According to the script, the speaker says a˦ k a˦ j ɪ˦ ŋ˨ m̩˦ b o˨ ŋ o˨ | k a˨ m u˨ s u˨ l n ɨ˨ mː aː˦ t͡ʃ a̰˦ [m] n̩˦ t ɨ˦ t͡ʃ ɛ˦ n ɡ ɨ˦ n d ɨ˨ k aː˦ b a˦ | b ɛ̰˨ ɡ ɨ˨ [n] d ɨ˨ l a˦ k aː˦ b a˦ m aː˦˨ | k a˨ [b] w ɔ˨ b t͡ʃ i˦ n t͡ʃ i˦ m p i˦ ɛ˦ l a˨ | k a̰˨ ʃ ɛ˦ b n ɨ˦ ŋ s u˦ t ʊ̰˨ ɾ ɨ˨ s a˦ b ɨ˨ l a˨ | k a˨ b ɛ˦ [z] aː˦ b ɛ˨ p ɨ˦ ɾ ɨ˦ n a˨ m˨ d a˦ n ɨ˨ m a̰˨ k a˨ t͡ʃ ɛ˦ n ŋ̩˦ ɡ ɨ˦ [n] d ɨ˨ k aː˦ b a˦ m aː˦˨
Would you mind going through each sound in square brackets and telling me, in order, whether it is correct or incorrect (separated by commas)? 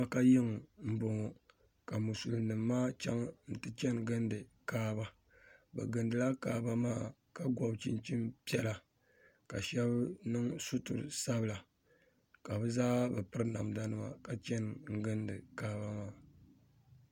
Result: incorrect, correct, incorrect, correct, correct